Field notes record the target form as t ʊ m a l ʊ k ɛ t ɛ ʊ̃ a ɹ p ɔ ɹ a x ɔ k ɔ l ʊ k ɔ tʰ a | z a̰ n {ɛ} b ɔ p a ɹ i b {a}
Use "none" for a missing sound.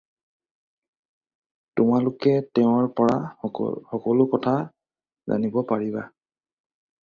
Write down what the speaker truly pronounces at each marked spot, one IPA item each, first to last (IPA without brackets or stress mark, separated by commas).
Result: i, a